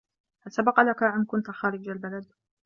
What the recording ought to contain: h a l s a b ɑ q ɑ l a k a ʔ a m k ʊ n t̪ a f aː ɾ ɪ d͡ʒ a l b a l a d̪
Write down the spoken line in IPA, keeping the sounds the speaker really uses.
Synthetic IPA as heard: h a l s a b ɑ q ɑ l a k a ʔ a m k ʊ n t̪ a x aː ɾ ɪ d͡ʒ a l b a l a d̪